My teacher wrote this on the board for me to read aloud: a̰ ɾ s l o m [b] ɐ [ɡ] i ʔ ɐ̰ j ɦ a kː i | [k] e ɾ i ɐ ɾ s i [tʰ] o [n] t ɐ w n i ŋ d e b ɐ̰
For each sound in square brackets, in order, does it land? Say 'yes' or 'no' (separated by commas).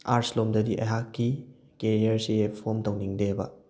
no, no, yes, no, no